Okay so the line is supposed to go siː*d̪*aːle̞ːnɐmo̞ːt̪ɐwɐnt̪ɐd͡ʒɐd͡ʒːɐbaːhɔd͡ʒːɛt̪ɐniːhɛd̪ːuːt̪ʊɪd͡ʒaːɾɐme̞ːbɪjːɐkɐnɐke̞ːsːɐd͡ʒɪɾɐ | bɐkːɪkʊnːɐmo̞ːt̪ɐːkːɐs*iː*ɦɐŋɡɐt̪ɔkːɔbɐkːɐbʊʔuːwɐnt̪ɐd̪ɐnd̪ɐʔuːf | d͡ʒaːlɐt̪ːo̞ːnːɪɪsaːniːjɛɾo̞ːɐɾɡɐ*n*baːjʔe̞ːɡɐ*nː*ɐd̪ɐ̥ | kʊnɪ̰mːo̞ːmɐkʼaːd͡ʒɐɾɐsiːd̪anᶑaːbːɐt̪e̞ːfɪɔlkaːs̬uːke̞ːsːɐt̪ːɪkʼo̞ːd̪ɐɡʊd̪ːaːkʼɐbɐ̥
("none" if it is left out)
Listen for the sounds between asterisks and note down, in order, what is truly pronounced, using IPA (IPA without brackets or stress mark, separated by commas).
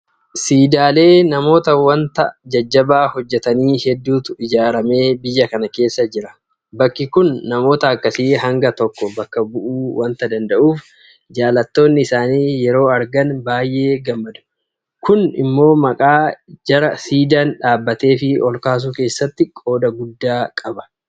d̪, iː, n, mː